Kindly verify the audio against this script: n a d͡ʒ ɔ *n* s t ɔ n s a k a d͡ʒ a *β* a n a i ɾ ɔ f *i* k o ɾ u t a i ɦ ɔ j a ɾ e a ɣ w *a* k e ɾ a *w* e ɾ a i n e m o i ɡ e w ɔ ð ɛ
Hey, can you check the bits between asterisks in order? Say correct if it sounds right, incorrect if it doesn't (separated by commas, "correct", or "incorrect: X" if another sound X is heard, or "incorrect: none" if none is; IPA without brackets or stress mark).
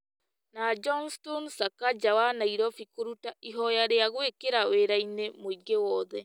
correct, incorrect: w, correct, incorrect: e, correct